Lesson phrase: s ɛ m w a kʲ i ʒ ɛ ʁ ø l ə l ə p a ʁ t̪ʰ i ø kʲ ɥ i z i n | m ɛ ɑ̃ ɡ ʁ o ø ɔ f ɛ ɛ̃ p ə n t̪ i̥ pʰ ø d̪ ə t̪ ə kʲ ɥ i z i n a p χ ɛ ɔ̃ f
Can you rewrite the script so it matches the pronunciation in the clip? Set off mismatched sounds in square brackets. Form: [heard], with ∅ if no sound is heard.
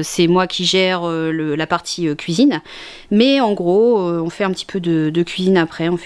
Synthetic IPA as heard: s ɛ m w a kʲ i ʒ ɛ ʁ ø l ə l [a] p a ʁ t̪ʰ i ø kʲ ɥ i z i n | m ɛ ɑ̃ ɡ ʁ o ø [ɔ̃] f ɛ ɛ̃ p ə [∅] t̪ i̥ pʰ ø d̪ ə [d̪] ə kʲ ɥ i z i n a p χ ɛ ɔ̃ f

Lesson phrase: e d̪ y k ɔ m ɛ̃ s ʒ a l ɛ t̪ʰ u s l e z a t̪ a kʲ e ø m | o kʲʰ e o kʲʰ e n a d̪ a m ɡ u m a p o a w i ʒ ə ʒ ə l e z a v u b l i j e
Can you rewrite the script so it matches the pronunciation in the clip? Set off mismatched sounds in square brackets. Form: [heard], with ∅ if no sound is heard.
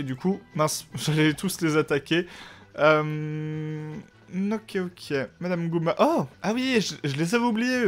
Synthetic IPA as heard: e d̪ y k [u] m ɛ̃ s ʒ a l ɛ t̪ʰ u s l e z a t̪ a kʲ e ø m | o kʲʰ e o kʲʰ e [m] a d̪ a m ɡ u m a [ʔ] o a w i ʒ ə ʒ ə l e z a v u b l i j e

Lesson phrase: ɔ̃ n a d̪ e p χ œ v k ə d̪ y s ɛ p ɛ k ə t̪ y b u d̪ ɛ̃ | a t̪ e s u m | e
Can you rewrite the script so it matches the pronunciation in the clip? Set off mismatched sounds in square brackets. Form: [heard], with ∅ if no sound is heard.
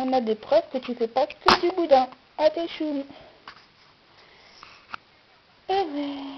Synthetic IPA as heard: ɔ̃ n a d̪ e p χ œ v k ə [t̪] y [f] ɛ p [a] k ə [d̪] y b u d̪ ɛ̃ | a t̪ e [ʃ] u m | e

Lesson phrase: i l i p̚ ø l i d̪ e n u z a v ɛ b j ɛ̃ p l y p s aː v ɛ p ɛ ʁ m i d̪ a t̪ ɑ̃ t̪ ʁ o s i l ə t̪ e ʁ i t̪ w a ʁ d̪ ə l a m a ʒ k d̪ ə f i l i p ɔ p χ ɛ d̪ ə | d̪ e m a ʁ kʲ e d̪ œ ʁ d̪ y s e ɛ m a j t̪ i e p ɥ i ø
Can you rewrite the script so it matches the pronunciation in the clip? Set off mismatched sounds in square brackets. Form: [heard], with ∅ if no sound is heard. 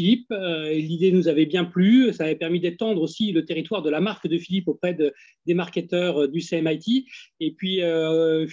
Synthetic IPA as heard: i l i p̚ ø l i d̪ e n u z a v ɛ b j ɛ̃ p l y [∅] s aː v ɛ p ɛ ʁ m i d̪ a t̪ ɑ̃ [d̪] ʁ o s i l ə t̪ e ʁ i t̪ w a ʁ d̪ ə l a m a [ʁ] k d̪ ə f i l i p [o] p χ ɛ d̪ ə | d̪ e m a ʁ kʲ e [t̪] œ ʁ d̪ y s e ɛ m a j t̪ i e p ɥ i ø

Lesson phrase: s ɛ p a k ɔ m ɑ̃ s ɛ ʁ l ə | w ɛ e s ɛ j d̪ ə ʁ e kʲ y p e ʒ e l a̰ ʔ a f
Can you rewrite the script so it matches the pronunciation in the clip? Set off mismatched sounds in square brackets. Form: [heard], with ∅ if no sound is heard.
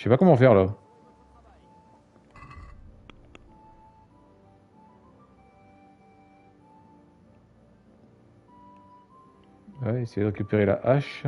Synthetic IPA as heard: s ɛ p a k ɔ m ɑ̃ [f] ɛ ʁ l [a] | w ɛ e s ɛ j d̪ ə ʁ e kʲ y p e [ʁ] e l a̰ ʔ a [ʃ]

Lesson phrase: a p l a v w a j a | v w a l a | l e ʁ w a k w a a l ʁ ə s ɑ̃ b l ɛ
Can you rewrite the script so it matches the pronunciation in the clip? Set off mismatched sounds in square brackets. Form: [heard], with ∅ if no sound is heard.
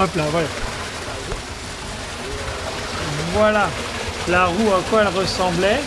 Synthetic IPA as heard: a p l a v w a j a | v w a l a | l [a] ʁ [u] a k w a [ɛ] l ʁ ə s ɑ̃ b l ɛ

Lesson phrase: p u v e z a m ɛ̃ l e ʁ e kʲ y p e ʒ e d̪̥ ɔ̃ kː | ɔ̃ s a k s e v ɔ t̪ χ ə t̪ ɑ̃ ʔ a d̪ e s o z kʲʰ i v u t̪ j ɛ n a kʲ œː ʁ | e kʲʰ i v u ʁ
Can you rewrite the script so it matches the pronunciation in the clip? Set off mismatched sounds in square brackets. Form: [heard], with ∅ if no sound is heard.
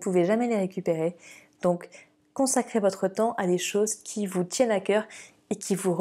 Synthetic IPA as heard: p u v e [ʒ] a m [ɛ] l e ʁ e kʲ y p e [ʁ] e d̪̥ ɔ̃ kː | ɔ̃ s a k [χ] e v ɔ t̪ χ ə t̪ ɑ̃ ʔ a d̪ e [ʃ] o z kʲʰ i v u t̪ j ɛ n a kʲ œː ʁ | e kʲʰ i v u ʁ

